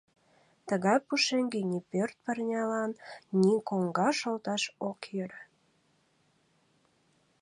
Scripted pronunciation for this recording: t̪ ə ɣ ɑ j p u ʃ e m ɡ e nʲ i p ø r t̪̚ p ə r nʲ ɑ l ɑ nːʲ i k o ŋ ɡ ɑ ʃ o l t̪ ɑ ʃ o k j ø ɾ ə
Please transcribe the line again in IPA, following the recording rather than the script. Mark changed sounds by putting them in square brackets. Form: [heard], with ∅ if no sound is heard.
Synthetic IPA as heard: t̪ ə ɣ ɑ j p u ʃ e [ŋ] ɡ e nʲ i p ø r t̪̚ p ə r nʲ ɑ l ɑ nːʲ i k o ŋ ɡ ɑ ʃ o l t̪ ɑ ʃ o k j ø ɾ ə

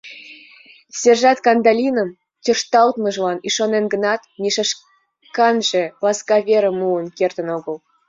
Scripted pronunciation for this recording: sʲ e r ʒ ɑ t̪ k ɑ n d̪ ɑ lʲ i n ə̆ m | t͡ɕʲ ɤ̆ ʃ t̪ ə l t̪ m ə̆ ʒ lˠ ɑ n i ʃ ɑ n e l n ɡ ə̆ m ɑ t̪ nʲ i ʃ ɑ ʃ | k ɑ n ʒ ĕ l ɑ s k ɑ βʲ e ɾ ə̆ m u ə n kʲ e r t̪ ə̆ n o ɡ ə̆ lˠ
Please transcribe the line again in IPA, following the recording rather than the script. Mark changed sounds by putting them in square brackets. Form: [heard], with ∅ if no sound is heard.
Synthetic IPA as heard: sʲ e r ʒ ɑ t̪ k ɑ n d̪ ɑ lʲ i n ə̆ m | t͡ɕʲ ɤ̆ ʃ t̪ [ɑ] l t̪ m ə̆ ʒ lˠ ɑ n i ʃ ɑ n e [∅] n ɡ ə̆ [n] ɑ t̪ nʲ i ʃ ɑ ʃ | k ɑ n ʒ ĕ l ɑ s k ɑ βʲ e ɾ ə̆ m u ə n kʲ e r t̪ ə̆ n o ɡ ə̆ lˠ

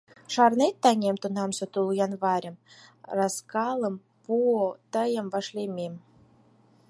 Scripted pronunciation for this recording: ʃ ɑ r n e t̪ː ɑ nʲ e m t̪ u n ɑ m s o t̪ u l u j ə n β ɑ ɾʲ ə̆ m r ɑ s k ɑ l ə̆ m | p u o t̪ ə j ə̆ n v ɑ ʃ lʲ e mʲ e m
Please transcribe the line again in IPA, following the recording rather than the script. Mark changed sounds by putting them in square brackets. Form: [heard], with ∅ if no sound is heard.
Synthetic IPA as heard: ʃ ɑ r n e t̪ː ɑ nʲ e m t̪ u n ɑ m s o t̪ u l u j [ɑ] n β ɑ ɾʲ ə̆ m r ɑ s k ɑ l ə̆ m | p u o t̪ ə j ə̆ [m] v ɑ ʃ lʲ e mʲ e m

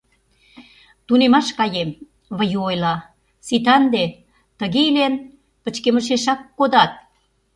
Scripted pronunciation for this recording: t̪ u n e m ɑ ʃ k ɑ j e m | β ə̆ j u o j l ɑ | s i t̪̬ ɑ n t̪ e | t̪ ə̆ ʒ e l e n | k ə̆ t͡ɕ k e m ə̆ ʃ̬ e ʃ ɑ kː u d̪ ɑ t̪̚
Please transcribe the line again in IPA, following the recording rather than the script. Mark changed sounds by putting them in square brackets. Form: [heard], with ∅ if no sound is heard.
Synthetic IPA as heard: t̪ u n e m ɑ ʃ k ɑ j e m | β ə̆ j u o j l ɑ | s i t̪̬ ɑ n [d̪] e | t̪ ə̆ [ɣ] e l e n | [p] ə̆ t͡ɕ k e m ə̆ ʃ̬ e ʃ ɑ kː [o] d̪ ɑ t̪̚

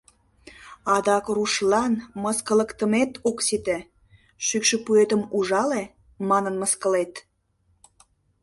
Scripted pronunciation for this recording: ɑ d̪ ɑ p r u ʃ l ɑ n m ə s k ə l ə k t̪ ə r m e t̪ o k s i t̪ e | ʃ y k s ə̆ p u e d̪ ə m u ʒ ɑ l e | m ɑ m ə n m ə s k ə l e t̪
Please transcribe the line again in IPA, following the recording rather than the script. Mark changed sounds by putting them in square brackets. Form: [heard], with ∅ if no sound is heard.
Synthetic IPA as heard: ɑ d̪ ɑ [k] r u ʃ l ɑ n m ə s k ə l ə k t̪ ə [∅] m e t̪ o k s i t̪ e | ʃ y k [ʃ] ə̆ p u e [t̪] ə m u ʒ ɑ l e | m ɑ [n] ə n m ə s k ə l e t̪

